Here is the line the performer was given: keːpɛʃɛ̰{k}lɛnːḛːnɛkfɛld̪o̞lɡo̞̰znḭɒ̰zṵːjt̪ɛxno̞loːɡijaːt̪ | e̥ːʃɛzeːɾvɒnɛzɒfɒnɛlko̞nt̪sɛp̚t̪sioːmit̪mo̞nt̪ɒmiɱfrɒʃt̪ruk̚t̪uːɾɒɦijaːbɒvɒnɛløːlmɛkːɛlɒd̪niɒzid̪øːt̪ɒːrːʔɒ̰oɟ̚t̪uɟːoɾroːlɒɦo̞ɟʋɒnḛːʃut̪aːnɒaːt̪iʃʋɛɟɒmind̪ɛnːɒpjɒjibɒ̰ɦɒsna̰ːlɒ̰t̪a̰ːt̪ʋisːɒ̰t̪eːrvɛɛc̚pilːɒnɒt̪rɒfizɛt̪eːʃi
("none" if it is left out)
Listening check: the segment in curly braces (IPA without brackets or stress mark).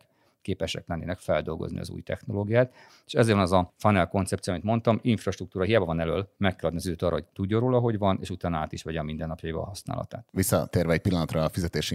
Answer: k